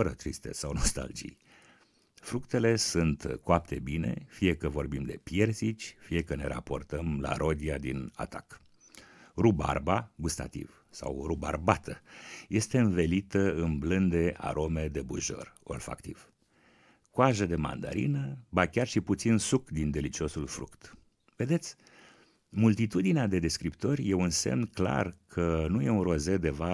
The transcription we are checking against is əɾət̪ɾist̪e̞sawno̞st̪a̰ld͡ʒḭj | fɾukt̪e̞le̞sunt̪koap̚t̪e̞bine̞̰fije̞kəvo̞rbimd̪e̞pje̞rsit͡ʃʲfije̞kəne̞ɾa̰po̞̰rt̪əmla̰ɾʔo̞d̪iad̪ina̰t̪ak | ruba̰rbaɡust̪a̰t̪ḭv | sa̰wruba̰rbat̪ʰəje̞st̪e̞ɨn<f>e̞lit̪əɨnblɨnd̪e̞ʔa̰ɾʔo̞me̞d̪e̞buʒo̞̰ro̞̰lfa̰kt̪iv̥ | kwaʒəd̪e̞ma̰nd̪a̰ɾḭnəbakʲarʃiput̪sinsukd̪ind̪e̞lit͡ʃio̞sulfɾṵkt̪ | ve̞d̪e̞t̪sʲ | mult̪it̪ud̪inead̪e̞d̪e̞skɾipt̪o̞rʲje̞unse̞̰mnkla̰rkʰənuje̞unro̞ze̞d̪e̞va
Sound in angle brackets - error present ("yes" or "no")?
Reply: yes